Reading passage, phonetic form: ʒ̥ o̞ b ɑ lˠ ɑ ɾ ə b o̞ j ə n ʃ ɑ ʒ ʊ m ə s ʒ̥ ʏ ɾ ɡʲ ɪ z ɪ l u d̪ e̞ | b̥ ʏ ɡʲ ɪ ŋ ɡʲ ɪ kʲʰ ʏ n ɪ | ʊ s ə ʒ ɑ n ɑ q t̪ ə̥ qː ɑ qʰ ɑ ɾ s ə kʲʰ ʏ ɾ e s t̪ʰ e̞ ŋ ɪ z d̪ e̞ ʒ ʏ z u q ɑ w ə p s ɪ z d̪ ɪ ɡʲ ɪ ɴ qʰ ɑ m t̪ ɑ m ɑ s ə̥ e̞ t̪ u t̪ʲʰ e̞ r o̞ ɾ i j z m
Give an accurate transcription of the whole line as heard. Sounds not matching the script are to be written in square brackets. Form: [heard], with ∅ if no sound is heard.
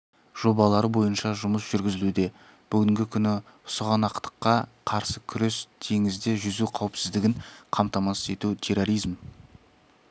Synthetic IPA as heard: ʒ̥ o̞ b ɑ lˠ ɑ ɾ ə b o̞ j ə n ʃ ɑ ʒ ʊ m ə s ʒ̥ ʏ ɾ ɡʲ ɪ z ɪ l u d̪ e̞ | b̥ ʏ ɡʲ ɪ ŋ ɡʲ ɪ kʲʰ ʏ n ɪ | ʊ s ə [ʁ] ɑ n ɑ q t̪ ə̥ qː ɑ qʰ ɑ ɾ s ə kʲʰ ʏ ɾ e s t̪ʰ e̞ ŋ ɪ z d̪ e̞ ʒ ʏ z u [qʰ] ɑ w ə p s ɪ z d̪ ɪ ɡʲ ɪ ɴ qʰ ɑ m t̪ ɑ m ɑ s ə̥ e̞ t̪ u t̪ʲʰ e̞ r o̞ ɾ i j z m

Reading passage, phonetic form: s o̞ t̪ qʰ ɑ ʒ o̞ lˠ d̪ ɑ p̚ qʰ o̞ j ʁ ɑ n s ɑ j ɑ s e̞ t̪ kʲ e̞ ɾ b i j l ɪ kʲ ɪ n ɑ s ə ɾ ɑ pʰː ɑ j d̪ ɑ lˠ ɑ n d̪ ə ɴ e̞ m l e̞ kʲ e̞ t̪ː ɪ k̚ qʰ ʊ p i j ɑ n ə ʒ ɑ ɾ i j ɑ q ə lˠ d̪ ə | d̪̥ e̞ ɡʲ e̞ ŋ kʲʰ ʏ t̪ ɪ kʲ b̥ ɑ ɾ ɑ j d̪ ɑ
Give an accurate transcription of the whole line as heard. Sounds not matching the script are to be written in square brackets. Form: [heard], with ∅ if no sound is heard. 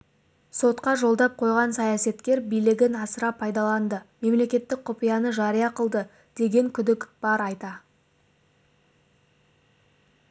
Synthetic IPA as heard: s o̞ t̪ [q] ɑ ʒ o̞ lˠ d̪ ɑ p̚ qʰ o̞ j ʁ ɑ n s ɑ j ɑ s e̞ t̪ kʲ e̞ ɾ b i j l ɪ [ɡʲ] ɪ n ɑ s ə ɾ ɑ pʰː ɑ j d̪ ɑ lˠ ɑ n d̪ ə [m] e̞ m l e̞ kʲ e̞ t̪ː ɪ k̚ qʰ ʊ p i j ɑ n ə ʒ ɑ ɾ i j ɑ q ə lˠ d̪ ə | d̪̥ e̞ ɡʲ e̞ ŋ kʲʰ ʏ [d̪] ɪ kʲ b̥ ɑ ɾ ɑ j [t̪] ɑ

